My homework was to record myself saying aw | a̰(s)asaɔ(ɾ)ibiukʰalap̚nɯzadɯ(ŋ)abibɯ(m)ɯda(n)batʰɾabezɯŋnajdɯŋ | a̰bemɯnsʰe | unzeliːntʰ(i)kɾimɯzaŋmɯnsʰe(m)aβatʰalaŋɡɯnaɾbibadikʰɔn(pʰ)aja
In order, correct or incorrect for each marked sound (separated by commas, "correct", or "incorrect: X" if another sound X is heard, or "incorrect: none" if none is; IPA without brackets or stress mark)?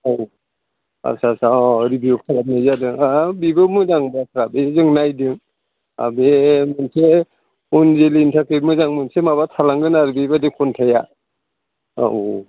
correct, correct, correct, correct, incorrect: ŋ, incorrect: a, correct, incorrect: tʰ